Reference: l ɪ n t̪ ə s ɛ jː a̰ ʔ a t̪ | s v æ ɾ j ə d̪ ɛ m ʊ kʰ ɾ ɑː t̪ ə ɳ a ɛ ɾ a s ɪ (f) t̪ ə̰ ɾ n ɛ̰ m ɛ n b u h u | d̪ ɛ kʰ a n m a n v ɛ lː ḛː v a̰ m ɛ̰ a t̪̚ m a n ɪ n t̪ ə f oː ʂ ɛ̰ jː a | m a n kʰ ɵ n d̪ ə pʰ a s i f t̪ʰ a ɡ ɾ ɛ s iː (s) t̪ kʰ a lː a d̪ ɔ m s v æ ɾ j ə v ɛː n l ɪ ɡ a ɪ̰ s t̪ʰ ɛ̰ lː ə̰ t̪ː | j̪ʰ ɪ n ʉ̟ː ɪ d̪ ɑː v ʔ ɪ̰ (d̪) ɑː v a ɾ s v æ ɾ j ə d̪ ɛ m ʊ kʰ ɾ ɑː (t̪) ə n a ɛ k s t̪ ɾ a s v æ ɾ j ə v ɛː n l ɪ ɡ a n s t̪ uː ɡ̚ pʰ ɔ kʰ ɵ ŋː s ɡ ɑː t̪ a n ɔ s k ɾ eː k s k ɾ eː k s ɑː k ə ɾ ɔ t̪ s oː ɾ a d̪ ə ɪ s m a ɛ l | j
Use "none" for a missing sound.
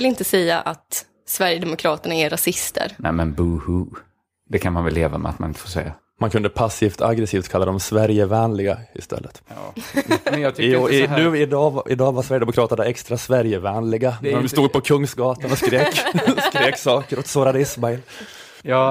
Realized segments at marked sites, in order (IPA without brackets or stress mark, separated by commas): s, f, d̪, t̪